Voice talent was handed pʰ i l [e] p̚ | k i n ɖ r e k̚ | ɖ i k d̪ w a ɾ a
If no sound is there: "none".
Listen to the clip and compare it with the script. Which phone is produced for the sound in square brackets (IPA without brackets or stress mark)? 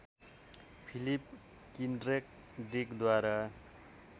i